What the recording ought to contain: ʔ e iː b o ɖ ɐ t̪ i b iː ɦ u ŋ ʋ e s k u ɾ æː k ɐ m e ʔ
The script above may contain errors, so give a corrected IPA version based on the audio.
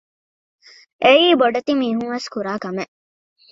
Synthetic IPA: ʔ e iː b o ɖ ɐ t̪ i m iː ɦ u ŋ ʋ e s k u ɾ aː k ɐ m e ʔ